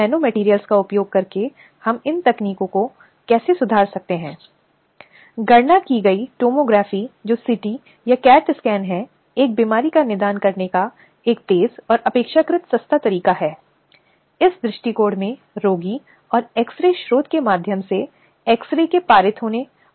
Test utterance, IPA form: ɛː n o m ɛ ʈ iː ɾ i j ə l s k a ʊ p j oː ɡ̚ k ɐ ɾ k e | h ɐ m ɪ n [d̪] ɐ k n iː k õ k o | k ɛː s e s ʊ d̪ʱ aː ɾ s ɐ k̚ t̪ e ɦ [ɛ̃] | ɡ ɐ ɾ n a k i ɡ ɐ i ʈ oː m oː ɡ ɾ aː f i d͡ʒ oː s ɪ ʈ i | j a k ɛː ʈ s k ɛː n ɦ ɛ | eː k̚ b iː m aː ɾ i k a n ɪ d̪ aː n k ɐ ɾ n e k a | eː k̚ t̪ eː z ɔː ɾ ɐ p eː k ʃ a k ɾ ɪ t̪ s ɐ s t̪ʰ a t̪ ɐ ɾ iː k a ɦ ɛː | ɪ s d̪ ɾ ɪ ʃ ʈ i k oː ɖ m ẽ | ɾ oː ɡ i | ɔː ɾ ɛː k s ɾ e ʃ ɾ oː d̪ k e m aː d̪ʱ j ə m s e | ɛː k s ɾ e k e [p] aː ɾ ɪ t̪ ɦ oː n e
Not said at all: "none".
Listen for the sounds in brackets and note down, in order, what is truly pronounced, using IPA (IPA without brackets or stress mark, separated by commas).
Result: t̪, ɛ̃ː, p